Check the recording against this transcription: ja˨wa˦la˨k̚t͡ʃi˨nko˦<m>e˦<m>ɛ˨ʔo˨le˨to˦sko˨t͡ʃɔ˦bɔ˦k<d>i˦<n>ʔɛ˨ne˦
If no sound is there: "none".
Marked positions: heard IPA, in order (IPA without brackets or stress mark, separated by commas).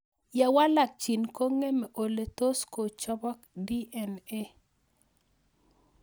ŋ, m, d, none